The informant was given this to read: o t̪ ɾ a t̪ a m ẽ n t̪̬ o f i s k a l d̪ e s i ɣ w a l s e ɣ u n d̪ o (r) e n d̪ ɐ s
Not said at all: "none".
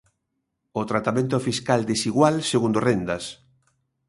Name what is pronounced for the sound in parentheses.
r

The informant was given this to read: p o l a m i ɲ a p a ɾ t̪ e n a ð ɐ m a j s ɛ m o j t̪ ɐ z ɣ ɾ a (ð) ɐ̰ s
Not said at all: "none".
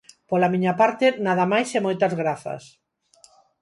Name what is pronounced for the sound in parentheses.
θ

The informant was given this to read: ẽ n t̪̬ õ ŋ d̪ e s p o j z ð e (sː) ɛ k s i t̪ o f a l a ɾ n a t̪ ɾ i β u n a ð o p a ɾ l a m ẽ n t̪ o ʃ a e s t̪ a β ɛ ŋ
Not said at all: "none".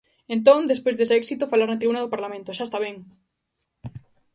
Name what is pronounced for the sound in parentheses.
s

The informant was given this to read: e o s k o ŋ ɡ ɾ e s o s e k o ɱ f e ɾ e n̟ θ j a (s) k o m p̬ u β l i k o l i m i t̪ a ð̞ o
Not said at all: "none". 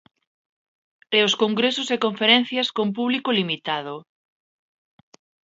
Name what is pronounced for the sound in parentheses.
s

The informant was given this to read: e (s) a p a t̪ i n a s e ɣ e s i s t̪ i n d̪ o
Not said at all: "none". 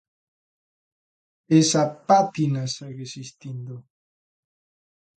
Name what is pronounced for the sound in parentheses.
s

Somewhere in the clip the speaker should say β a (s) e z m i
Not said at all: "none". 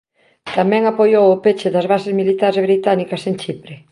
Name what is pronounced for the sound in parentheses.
s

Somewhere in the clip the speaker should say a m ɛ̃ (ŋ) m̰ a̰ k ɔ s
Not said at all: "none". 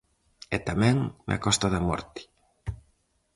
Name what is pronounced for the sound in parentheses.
ŋ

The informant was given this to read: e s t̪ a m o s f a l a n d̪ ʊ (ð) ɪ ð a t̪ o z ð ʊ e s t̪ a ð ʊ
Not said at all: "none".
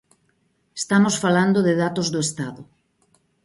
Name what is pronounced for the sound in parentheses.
ð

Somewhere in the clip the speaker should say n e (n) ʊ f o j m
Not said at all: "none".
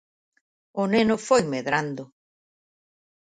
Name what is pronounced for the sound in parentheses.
n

